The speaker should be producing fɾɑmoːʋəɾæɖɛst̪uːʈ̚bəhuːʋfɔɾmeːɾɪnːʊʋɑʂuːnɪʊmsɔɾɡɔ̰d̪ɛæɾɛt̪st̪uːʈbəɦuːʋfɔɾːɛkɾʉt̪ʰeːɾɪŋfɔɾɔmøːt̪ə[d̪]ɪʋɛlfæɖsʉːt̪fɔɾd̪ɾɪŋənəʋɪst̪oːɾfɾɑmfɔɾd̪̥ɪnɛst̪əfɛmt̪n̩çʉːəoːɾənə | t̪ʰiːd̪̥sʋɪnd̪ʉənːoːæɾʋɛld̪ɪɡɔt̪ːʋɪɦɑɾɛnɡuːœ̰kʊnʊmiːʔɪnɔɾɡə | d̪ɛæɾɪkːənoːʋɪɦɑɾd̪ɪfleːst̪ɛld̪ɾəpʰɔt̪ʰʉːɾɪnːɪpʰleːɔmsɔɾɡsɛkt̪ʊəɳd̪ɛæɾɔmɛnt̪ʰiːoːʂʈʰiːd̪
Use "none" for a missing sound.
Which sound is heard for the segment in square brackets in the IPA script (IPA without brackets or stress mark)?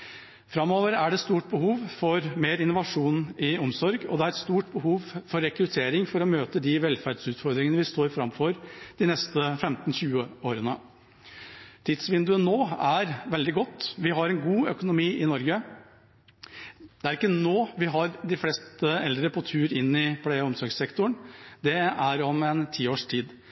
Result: d̪